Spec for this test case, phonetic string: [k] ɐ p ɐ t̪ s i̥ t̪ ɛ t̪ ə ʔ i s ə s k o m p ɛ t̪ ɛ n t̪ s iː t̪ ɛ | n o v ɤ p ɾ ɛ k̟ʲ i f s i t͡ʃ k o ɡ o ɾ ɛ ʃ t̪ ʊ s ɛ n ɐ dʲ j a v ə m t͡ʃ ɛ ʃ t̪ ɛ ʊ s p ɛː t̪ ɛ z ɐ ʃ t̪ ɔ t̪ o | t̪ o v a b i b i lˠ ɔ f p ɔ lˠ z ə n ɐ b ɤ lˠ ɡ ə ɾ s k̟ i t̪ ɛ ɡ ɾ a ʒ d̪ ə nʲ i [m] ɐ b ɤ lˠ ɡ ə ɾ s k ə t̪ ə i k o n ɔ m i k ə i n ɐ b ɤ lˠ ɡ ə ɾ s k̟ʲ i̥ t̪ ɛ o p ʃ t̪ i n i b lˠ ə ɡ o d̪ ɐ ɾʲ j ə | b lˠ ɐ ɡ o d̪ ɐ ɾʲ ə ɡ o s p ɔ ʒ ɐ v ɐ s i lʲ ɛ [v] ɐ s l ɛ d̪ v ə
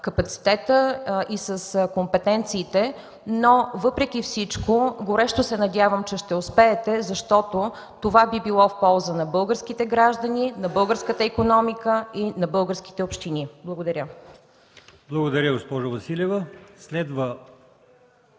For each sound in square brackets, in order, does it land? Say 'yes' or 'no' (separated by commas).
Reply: yes, no, yes